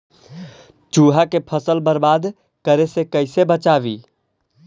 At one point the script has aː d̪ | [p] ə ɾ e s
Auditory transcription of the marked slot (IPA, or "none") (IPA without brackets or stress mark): k